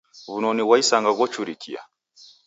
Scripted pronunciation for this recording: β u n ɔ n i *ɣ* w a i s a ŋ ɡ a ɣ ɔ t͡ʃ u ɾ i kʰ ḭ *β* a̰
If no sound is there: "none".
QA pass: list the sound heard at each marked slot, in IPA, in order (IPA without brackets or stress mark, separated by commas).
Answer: none, none